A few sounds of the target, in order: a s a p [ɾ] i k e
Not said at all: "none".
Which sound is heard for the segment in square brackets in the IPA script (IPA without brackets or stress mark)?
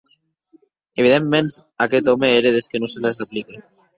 l